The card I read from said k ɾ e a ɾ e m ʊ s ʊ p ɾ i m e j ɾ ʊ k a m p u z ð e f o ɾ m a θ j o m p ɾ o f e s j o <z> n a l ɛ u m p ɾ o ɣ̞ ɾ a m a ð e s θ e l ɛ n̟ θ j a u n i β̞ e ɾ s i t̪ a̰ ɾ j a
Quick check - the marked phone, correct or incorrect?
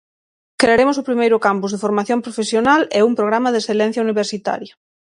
incorrect: none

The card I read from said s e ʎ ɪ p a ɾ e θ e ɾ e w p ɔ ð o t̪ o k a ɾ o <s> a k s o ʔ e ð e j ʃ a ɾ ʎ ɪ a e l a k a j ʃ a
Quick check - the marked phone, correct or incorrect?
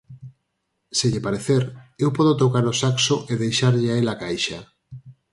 correct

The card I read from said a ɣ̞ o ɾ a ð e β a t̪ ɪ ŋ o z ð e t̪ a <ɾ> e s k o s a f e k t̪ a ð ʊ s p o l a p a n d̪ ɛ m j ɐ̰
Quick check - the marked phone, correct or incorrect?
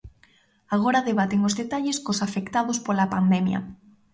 incorrect: ʎ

